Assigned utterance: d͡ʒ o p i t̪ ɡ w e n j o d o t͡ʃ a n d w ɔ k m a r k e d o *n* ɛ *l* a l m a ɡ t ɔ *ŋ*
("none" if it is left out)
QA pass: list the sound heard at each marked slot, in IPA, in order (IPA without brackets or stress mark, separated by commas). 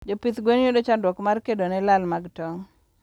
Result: n, l, ŋ